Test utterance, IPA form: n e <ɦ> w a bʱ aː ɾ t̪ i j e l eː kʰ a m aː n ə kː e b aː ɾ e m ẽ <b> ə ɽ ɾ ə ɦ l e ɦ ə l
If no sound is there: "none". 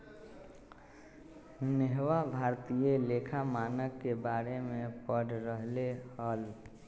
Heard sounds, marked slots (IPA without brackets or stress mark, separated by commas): ɦ, p